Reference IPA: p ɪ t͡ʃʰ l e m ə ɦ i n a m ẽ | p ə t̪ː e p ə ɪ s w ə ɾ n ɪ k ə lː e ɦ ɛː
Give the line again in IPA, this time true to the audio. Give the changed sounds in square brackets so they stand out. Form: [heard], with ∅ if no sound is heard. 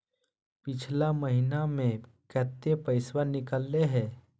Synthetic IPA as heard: p ɪ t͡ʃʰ l [a] m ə ɦ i n a m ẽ | [k] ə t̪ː e p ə ɪ s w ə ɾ n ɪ k ə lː e ɦ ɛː